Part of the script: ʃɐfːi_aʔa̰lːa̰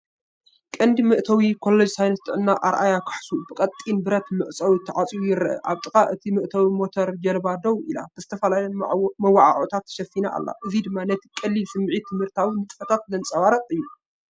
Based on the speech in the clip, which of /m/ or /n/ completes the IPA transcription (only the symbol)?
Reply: n